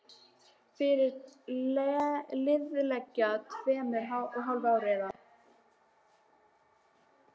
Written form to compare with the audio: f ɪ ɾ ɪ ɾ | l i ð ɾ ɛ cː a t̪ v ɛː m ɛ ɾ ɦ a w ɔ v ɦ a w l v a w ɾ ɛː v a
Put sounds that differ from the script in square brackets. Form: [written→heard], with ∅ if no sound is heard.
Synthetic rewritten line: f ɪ ɾ ɪ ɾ | l [i→ɪ] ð [ɾ→l] ɛ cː a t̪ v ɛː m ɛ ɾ ɦ a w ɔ [v→ɣ] ɦ a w l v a w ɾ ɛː [v→ð] a

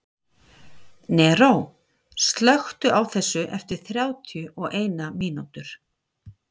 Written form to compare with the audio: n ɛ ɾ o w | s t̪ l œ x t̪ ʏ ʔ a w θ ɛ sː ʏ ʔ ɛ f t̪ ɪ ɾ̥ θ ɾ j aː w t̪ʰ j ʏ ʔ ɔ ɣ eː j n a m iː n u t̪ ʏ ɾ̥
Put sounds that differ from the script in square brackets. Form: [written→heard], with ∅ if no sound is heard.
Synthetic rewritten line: n ɛ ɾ o w | s t̪ l œ x t̪ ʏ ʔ a w θ ɛ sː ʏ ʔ ɛ f t̪ ɪ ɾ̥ θ ɾ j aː w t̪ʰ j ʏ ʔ ɔ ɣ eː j n a m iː n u t̪ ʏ ɾ̥

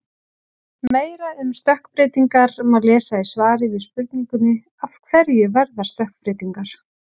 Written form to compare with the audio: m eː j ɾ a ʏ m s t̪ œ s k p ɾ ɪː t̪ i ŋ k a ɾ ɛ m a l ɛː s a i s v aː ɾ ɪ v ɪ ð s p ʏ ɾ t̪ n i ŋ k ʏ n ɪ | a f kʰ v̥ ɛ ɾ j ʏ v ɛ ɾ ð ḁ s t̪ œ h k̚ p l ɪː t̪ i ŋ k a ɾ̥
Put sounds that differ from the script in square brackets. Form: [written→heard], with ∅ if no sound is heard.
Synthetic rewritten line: m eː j ɾ a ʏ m s t̪ œ [s→h] k p ɾ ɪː t̪ i ŋ k a ɾ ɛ m a l ɛː s a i s v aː ɾ ɪ v ɪ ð s p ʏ ɾ t̪ n i ŋ k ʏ n ɪ | a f kʰ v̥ ɛ ɾ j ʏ v ɛ ɾ ð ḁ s t̪ œ h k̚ p [l→ɾ] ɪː t̪ i ŋ k a ɾ̥

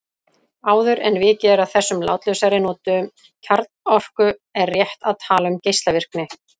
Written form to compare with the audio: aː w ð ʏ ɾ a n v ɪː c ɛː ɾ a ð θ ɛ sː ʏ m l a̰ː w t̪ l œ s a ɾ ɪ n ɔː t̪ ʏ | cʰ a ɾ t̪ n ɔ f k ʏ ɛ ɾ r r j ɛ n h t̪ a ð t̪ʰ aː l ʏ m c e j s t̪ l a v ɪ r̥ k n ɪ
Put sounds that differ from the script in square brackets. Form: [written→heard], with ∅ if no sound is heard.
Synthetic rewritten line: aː w ð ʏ ɾ [a→ɛ] n v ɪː c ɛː ɾ a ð θ ɛ sː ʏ m l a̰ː w t̪ l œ s a ɾ ɪ n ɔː t̪ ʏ | cʰ a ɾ t̪ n ɔ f k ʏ ɛ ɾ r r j ɛ [n→∅] h t̪ a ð t̪ʰ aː l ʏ m c e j s t̪ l a v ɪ r̥ k n ɪ

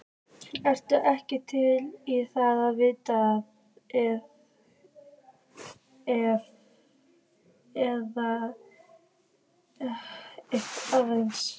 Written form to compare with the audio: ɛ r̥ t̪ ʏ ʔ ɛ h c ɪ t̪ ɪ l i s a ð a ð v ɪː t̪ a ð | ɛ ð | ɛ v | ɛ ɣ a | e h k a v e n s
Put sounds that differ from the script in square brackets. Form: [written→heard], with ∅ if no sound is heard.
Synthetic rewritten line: ɛ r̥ t̪ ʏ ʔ ɛ h c ɪ [t̪→t̪ʰ] ɪ l i [s→θ] a ð a ð v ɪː t̪ a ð | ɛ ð | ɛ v | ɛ [ɣ→ð] a | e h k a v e n s

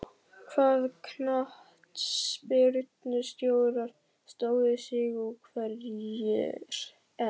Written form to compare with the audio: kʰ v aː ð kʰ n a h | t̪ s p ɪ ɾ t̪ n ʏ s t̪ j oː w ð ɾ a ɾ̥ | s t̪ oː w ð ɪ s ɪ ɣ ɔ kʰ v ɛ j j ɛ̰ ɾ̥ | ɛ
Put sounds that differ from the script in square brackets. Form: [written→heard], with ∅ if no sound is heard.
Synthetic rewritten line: kʰ v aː ð kʰ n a h | t̪ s p ɪ ɾ t̪ n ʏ s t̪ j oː w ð ɾ a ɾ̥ | s t̪ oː w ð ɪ s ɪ ɣ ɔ kʰ v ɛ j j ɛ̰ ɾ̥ | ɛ

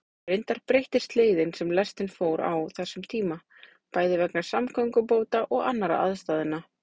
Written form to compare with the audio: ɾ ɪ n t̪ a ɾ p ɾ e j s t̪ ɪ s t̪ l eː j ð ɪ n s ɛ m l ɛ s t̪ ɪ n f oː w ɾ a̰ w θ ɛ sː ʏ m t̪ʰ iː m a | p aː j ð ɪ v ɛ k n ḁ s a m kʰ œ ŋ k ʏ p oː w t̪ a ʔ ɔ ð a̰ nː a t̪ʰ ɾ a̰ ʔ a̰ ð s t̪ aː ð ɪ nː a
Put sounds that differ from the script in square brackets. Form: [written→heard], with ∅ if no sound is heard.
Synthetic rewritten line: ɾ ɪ n t̪ a ɾ p ɾ e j [s→h] t̪ ɪ s t̪ l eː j ð ɪ n s ɛ m l ɛ s t̪ ɪ n f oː w ɾ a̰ w θ ɛ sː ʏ m t̪ʰ iː m a | p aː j ð ɪ v ɛ k n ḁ s a m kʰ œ ŋ k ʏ p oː w t̪ a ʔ ɔ [ð→ɣ] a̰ nː a [t̪ʰ→∅] ɾ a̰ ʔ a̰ ð s t̪ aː ð ɪ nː a

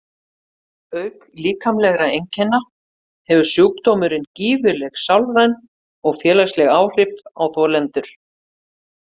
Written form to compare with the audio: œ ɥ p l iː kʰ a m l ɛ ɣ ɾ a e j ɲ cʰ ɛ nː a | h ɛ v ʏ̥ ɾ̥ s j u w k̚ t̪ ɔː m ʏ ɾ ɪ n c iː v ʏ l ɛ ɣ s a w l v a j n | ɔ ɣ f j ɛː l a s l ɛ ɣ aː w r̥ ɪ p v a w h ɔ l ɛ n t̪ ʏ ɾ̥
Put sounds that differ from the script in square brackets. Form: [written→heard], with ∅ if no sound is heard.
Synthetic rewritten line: œ ɥ [p→k] l iː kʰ a m l ɛ ɣ ɾ a e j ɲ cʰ ɛ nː a | h ɛ v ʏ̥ [ɾ̥→∅] s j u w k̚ t̪ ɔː m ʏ ɾ ɪ n c iː v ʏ l ɛ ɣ s a w l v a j n | ɔ ɣ f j ɛː l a s l ɛ ɣ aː w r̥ ɪ p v a w [h→θ] ɔ l ɛ n t̪ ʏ ɾ̥

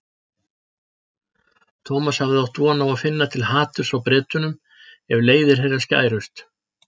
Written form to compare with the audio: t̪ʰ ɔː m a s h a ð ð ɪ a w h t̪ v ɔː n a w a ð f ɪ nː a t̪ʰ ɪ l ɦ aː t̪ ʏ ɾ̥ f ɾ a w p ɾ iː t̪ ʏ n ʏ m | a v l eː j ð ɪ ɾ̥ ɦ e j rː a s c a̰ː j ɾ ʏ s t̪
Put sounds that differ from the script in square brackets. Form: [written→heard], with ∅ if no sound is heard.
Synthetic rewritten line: t̪ʰ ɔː m a s h a [ð→v] ð ɪ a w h t̪ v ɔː n a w a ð f ɪ nː a t̪ʰ ɪ l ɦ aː t̪ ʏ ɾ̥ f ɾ a w p ɾ [iː→ɛː] t̪ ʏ n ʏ m | [a→ɛ] v l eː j ð ɪ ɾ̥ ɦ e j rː a s c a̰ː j ɾ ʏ s t̪

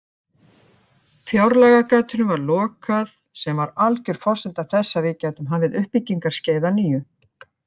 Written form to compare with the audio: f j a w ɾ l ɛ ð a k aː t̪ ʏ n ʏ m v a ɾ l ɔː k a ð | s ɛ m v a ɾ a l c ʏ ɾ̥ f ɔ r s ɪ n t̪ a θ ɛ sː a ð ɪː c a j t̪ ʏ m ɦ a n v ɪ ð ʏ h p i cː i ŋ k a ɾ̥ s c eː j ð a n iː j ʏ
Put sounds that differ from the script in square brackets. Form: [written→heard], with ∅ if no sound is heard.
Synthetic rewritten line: f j a w ɾ l ɛ [ð→ɣ] a k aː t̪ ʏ n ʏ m v a ɾ l ɔː k a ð | s ɛ m v a ɾ a l c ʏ ɾ̥ f ɔ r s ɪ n t̪ a θ ɛ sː a [ð→v] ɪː c a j t̪ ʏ m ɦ a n v ɪ ð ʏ h p i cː i ŋ k a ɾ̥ s c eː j ð a n iː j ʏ

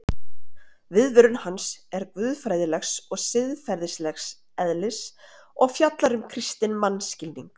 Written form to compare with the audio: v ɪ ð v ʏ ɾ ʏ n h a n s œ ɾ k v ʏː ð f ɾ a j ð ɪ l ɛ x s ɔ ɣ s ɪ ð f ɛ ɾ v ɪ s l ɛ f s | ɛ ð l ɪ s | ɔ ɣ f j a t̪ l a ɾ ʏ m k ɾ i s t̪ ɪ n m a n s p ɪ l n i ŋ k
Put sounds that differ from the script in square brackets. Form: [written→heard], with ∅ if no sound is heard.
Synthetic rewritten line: v ɪ ð v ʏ ɾ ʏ n h a n s [œ→ɛ] ɾ k v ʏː ð f ɾ a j ð ɪ l ɛ x s ɔ ɣ s ɪ ð f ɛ ɾ [v→ð] ɪ s l ɛ [f→x] s | ɛ ð l ɪ s | ɔ ɣ f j a t̪ l a ɾ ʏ m [k→kʰ] ɾ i s t̪ ɪ n m a n s [p→c] ɪ l n i ŋ k

